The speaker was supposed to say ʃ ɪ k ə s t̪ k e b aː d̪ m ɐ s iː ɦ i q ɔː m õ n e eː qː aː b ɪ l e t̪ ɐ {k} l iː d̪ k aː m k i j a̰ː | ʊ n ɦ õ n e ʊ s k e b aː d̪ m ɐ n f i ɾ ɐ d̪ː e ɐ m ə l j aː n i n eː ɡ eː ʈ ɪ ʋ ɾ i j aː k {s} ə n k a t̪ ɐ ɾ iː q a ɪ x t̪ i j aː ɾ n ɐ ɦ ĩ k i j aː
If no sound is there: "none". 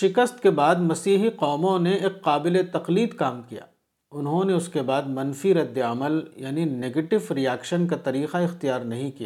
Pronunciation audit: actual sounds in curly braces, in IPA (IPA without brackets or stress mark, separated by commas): q, ʃ